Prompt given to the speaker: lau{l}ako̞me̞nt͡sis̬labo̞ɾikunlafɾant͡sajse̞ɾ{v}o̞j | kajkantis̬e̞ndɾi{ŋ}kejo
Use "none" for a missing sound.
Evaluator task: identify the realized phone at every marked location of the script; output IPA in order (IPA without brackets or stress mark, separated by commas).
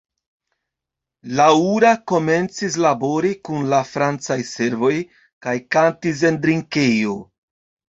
ɾ, v, ŋ